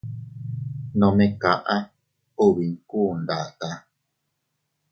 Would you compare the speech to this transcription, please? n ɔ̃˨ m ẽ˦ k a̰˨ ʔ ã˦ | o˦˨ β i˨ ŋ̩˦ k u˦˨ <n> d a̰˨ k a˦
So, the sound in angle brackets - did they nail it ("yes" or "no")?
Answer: yes